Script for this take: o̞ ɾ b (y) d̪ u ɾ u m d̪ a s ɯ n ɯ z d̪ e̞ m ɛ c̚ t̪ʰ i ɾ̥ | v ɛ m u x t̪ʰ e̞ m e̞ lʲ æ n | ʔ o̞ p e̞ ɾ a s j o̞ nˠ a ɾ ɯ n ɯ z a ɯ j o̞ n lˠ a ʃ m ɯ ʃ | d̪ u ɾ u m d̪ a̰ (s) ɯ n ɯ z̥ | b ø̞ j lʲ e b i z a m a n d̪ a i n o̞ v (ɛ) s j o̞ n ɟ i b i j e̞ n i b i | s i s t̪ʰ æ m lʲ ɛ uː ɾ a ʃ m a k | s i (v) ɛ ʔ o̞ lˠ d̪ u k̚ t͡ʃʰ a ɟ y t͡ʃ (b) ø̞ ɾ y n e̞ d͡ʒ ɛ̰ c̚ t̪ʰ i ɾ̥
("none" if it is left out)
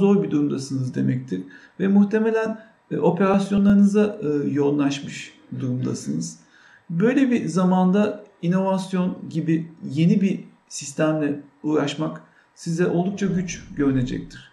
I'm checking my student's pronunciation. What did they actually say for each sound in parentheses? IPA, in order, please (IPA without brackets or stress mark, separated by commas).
i, s, a, z, ɟ